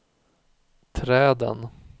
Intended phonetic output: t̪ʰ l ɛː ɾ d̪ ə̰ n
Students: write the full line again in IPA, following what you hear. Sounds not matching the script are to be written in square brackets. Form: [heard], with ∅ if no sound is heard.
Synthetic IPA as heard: t̪ʰ [ɾ] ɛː [∅] d̪ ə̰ n